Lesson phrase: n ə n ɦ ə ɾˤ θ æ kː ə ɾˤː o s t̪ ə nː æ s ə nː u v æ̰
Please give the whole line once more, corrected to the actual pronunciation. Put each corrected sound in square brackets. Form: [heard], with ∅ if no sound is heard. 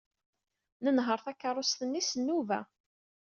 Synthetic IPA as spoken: n ə n ɦ ə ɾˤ θ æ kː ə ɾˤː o s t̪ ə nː [i] s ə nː u v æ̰